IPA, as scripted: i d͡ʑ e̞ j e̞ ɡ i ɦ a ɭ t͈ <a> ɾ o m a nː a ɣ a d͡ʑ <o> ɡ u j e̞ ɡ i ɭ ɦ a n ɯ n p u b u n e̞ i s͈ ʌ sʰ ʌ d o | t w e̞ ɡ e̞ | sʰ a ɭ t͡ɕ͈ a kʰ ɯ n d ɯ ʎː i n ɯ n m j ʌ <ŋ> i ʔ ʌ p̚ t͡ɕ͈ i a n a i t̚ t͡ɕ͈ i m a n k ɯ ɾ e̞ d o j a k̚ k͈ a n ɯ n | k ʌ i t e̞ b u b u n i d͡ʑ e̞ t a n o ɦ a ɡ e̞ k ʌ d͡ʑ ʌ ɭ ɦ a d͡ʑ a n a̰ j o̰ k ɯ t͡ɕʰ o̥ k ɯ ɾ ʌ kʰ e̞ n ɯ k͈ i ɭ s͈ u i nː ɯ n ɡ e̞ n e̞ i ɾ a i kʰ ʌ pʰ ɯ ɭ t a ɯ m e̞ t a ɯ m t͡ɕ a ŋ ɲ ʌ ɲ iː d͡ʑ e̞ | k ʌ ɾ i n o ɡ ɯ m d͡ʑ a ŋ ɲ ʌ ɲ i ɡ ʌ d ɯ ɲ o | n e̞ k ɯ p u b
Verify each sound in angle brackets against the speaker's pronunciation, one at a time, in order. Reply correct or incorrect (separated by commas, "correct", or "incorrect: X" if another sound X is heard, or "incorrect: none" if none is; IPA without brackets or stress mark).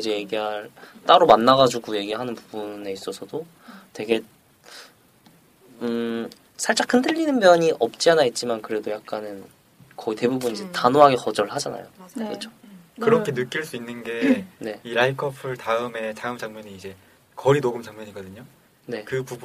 correct, incorrect: u, incorrect: ɲ